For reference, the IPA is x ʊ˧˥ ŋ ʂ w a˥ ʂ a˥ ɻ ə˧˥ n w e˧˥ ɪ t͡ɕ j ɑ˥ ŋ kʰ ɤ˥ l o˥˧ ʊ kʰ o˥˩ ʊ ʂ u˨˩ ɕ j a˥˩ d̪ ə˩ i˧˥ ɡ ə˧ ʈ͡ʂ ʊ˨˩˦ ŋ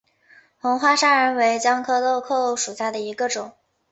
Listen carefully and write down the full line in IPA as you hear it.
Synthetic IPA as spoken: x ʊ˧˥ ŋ x w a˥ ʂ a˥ ɻ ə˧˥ n w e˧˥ ɪ t͡ɕ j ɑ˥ ŋ kʰ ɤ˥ l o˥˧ ʊ kʰ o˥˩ ʊ ʂ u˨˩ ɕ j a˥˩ d̪ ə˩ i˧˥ ɡ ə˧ ʈ͡ʂ ʊ˨˩˦ ŋ